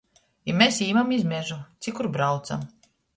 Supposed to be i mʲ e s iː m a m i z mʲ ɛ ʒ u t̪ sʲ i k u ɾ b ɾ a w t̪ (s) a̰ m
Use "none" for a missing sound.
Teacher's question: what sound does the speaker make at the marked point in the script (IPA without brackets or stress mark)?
s